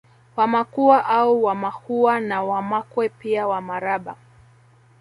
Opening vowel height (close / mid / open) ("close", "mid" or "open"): open